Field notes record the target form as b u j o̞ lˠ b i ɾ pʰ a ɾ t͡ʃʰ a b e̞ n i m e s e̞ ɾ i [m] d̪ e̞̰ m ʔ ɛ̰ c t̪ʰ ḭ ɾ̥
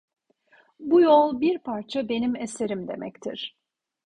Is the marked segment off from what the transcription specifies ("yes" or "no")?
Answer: no